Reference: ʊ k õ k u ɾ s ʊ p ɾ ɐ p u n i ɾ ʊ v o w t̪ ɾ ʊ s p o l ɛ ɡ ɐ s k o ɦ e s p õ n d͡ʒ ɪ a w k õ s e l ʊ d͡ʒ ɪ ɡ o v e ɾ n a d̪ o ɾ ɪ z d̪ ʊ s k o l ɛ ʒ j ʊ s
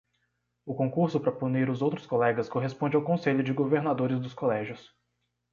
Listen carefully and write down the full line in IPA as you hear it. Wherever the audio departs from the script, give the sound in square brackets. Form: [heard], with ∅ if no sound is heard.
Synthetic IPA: ʊ k õ k u ɾ s ʊ p ɾ ɐ p u n i ɾ ʊ [z] o w t̪ ɾ ʊ s [k] o l ɛ ɡ ɐ s k o ɦ e s p õ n d͡ʒ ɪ a w k õ s e [ʎ] ʊ d͡ʒ ɪ ɡ o v e ɾ n a d̪ o ɾ ɪ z d̪ ʊ s k o l ɛ ʒ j ʊ s